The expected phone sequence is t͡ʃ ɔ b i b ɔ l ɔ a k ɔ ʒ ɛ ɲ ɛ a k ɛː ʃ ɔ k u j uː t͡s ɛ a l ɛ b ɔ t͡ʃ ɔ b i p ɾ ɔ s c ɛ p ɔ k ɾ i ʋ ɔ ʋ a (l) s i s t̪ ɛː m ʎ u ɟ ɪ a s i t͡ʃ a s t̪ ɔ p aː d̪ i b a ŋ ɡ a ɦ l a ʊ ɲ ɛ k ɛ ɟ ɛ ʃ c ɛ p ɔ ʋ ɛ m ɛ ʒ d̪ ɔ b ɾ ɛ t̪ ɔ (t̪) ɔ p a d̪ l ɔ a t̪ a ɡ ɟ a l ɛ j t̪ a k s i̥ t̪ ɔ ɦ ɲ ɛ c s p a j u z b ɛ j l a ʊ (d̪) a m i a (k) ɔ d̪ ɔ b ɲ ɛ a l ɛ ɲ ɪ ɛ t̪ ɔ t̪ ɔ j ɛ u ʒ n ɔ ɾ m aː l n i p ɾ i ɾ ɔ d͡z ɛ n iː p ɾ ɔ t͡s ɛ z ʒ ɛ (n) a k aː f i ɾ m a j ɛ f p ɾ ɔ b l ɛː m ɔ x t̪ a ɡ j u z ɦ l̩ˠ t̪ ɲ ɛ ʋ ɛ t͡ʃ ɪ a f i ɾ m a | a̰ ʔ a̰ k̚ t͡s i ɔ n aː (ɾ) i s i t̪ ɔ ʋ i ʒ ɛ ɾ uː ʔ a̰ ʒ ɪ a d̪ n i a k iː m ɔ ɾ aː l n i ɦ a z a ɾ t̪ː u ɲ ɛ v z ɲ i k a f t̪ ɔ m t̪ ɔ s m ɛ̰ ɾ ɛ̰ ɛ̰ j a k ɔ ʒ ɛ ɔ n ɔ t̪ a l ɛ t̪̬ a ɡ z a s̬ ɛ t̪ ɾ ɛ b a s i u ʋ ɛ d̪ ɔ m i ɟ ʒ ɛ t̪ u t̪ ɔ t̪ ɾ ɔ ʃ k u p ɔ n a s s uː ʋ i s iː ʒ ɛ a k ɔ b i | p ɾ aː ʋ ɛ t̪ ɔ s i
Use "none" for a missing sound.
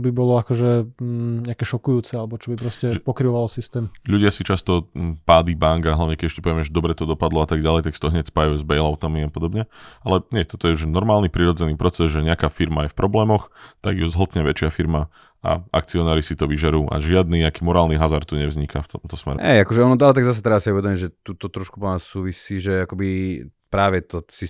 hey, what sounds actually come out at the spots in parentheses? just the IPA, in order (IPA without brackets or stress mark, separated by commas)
l, d̪, t̪, p, ɲ, ɾ